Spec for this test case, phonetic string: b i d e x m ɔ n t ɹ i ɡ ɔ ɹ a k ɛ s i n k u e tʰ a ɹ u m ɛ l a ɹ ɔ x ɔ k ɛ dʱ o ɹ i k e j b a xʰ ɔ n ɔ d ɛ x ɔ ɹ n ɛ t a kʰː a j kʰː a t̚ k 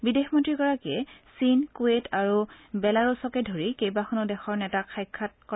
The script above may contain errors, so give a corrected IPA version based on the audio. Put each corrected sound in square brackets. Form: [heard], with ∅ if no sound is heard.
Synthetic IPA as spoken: b i d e x m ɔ n t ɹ i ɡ ɔ ɹ a k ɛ s i n k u e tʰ a ɹ u [b] ɛ l a ɹ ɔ [s] ɔ k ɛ dʱ o ɹ i k e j b a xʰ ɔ n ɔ d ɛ x ɔ ɹ n ɛ t a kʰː a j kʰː a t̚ k